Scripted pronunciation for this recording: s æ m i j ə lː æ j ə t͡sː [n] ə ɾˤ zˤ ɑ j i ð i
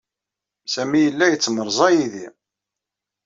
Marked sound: incorrect: m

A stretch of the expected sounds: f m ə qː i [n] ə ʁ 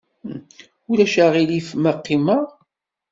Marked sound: incorrect: m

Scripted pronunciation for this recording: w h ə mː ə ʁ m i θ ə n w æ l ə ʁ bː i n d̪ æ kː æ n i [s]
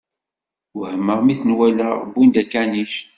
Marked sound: incorrect: ʃ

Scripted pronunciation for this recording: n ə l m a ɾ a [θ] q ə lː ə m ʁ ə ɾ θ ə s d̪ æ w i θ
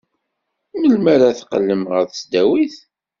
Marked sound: correct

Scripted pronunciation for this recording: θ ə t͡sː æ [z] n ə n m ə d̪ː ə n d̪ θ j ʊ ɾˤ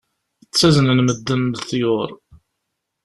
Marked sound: correct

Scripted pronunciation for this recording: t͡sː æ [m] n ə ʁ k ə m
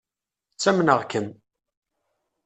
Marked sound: correct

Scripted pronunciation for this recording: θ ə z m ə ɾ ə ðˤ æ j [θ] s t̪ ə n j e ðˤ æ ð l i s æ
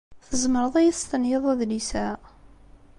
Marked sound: correct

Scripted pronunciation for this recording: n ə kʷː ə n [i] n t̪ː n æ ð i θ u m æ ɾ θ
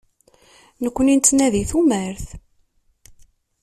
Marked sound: correct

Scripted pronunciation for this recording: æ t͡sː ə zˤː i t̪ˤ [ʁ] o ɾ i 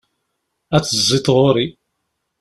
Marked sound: correct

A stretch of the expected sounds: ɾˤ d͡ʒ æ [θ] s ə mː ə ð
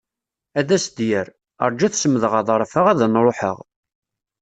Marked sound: correct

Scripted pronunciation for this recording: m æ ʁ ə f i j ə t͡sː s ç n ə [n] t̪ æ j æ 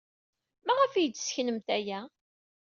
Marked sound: incorrect: m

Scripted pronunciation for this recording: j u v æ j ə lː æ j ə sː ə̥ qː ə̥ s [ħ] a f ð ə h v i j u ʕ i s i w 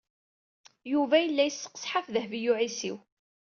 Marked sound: correct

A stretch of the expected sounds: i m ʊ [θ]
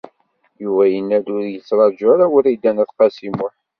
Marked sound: incorrect: ħ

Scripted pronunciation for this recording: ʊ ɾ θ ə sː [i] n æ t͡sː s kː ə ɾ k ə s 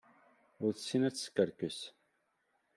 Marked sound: correct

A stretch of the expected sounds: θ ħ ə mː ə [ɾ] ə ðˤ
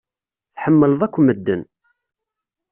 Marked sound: incorrect: l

